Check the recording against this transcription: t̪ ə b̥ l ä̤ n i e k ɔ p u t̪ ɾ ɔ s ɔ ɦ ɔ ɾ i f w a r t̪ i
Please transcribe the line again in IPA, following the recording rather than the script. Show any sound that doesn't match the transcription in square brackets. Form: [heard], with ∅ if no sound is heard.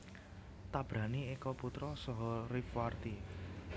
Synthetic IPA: t̪ [a] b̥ [ɾ] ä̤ n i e k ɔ p u t̪ ɾ ɔ s ɔ ɦ ɔ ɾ i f w a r t̪ i